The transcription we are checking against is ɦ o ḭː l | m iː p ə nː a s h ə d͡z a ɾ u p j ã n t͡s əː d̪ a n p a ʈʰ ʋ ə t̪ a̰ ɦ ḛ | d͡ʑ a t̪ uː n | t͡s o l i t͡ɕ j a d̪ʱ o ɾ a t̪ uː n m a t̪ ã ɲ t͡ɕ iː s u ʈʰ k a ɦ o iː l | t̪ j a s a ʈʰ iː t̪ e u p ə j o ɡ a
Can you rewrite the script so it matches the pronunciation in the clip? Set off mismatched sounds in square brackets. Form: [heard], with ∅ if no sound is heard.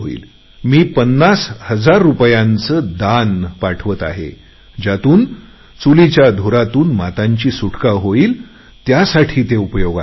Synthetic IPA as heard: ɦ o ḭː l | m iː p ə nː a s h ə d͡z a [ɾː] u p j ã n t͡s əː d̪ a n p a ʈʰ ʋ ə t̪ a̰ ɦ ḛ | d͡ʑ a t̪ uː n | t͡s [u] l i t͡ɕ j a d̪ʱ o ɾ a t̪ uː n m a t̪ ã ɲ t͡ɕ iː s u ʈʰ k a ɦ o iː l | t̪ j a s a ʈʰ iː t̪ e u p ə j o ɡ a